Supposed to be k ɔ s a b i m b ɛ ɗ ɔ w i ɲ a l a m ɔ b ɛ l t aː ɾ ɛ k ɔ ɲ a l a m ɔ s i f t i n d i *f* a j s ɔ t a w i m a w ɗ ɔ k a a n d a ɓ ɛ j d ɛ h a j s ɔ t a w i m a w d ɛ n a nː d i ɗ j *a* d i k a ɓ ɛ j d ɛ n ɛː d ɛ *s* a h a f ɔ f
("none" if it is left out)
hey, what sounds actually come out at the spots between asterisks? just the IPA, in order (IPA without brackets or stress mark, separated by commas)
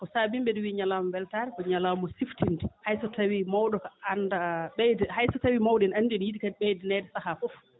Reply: h, i, s